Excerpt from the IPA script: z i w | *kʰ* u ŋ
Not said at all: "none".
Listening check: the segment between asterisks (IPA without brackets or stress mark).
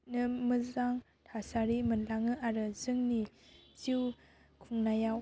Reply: kʰ